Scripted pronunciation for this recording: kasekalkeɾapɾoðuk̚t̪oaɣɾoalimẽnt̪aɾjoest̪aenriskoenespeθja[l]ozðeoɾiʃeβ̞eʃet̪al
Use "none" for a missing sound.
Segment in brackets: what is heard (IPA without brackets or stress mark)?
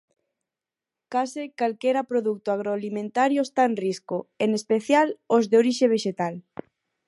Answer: l